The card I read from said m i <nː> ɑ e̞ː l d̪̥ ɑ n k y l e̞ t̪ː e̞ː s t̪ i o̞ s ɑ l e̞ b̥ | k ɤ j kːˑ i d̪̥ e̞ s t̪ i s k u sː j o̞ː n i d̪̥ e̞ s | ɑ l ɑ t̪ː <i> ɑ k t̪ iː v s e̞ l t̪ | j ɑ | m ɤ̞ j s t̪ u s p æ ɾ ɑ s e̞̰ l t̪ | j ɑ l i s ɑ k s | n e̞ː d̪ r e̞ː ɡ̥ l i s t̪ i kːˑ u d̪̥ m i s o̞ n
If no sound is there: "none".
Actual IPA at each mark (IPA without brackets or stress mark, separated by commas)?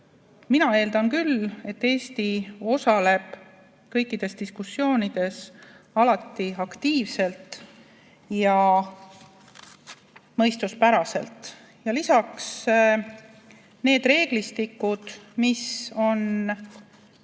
n, i